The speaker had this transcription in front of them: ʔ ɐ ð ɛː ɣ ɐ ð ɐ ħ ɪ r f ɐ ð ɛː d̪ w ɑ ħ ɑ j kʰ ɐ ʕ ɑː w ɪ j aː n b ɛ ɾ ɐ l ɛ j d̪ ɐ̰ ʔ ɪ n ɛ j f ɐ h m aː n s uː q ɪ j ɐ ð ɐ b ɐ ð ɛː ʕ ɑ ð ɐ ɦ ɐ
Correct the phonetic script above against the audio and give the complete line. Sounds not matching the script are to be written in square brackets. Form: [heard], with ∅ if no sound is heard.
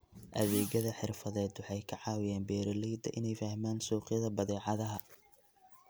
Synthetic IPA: ʔ ɐ ð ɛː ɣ ɐ ð ɐ ħ ɪ r f ɐ ð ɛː d̪ w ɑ ħ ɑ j kʰ ɐ ʕ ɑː w ɪ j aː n b [ɛː] ɾ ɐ l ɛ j d̪ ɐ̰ ʔ ɪ n ɛ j f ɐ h m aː n s uː q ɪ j ɐ ð ɐ b ɐ ð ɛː ʕ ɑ ð ɐ ɦ ɐ